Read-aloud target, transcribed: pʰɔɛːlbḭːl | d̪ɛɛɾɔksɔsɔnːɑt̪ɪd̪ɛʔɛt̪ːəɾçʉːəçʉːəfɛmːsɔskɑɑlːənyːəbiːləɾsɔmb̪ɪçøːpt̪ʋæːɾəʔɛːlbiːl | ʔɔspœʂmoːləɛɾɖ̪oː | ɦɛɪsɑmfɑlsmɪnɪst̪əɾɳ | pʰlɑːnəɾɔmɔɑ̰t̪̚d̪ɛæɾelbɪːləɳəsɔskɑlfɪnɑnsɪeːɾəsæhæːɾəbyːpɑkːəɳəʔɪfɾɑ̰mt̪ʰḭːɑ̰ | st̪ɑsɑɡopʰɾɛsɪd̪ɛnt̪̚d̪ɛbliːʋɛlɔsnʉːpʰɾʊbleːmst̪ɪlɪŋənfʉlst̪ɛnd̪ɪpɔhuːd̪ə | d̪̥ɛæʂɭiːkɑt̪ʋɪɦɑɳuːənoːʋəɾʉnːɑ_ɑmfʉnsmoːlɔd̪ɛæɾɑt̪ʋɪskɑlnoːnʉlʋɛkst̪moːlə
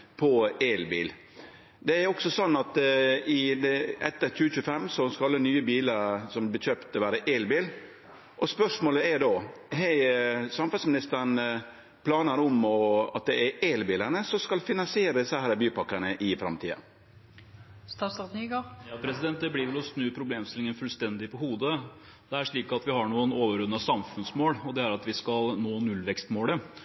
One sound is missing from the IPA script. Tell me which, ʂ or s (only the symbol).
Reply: s